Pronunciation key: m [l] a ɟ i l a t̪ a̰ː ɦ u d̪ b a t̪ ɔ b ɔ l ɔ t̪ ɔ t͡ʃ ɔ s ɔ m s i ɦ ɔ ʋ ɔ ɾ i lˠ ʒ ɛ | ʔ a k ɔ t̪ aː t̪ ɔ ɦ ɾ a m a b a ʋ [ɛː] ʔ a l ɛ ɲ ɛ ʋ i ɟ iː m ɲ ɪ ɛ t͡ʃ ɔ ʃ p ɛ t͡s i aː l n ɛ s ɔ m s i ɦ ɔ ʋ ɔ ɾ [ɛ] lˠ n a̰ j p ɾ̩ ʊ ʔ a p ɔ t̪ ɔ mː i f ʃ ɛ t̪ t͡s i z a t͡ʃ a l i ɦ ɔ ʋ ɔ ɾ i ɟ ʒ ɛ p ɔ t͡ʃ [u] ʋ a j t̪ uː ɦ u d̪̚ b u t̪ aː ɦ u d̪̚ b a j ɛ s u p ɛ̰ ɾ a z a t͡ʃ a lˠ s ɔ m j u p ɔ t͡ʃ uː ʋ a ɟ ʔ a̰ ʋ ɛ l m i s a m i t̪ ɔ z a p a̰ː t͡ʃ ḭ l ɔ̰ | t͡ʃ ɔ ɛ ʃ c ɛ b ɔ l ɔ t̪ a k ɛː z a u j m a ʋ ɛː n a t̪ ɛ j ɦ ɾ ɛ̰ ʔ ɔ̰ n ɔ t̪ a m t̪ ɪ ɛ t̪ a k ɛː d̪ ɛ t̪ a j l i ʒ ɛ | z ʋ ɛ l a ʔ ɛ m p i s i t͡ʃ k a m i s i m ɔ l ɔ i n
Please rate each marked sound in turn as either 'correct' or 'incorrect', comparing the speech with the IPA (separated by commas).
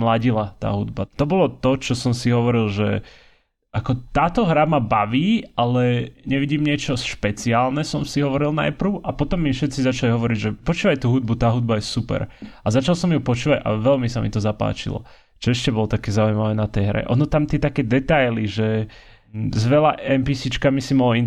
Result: correct, incorrect, incorrect, incorrect